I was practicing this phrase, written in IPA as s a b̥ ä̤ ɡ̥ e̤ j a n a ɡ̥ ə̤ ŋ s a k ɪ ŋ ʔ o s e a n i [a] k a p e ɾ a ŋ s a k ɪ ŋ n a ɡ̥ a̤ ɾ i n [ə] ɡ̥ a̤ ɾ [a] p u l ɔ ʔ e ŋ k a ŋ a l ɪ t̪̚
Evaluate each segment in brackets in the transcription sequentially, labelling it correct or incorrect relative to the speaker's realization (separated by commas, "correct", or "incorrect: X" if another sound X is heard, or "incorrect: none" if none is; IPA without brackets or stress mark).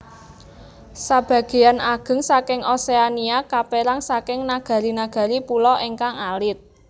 correct, incorrect: a, incorrect: i